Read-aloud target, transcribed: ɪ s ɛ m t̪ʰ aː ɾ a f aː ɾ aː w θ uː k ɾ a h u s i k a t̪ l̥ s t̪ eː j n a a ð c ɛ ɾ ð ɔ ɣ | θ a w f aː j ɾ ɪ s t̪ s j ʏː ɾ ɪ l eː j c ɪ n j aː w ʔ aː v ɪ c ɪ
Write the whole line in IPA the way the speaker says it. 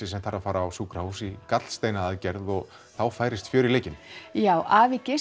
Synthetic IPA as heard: ɪ s ɛ m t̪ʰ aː ɾ a f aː ɾ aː w s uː k ɾ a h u s i k a t̪ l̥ s t̪ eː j n a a ð c ɛ ɾ ð ɔ ɣ | θ a w f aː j ɾ ɪ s t̪ f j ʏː ɾ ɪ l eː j c ɪ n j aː w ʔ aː v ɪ c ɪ